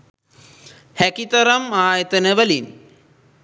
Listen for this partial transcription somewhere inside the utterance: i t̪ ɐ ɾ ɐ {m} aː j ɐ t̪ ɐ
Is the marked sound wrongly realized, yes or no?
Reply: no